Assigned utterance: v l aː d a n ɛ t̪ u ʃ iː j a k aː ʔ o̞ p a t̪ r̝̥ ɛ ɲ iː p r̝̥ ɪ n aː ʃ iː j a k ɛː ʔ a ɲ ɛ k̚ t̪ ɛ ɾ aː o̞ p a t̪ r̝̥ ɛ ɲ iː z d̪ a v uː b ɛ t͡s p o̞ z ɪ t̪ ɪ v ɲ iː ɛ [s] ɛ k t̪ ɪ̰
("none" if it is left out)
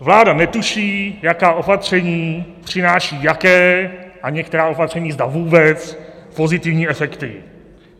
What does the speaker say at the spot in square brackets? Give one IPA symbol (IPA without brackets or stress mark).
f